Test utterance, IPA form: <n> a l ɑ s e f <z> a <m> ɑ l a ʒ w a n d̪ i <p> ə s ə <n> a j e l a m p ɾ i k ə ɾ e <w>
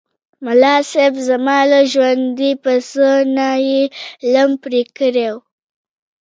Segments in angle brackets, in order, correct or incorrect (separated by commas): incorrect, correct, correct, correct, correct, correct